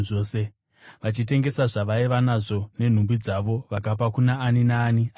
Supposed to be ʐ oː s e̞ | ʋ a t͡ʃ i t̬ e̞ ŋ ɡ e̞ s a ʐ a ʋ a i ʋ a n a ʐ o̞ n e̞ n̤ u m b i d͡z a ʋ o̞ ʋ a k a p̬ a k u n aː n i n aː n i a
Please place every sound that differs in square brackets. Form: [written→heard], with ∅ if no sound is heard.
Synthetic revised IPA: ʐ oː s e̞ | ʋ a t͡ʃ i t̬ e̞ ŋ ɡ e̞ s a ʐ a ʋ a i ʋ a n a ʐ o̞ n e̞ n̤ u m b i d͡z a ʋ o̞ ʋ a k a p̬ a k u n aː n i n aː n i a